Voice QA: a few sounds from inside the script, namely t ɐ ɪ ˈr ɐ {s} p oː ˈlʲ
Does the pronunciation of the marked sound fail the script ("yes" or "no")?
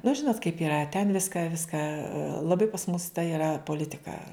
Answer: yes